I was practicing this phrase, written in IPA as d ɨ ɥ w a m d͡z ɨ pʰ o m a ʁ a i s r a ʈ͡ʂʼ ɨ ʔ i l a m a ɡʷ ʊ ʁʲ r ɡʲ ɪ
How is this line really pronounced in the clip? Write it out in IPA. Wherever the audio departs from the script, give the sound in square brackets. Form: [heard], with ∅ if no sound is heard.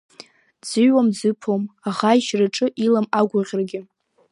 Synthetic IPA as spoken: [d͡z] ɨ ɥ w a m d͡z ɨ pʰ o m a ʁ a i [ʃ] r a ʈ͡ʂʼ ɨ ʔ i l a m a ɡʷ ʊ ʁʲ r ɡʲ ɪ